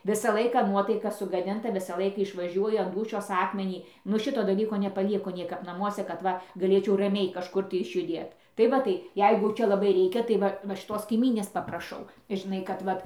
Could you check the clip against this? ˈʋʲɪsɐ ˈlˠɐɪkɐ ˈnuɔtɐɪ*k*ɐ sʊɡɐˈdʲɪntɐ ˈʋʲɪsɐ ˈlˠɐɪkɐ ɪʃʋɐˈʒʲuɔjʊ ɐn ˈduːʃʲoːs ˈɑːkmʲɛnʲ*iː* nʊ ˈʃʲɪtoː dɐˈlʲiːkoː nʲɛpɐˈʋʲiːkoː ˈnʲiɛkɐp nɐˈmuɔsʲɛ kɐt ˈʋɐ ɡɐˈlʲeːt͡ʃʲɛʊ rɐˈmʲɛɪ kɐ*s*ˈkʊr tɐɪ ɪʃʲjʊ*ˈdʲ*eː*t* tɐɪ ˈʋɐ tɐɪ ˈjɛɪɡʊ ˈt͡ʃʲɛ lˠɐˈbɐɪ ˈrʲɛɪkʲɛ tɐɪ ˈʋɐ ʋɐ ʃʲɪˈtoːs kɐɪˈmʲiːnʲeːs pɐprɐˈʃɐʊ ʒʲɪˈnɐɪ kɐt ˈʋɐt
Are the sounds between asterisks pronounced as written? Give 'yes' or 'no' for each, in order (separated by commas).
yes, yes, no, yes, yes